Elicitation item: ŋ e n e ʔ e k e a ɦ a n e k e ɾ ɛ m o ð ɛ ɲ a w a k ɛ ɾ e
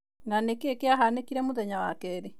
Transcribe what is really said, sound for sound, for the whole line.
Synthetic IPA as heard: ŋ a n e k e k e a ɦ a n e k i ɾ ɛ m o ð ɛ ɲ a w a k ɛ ɾ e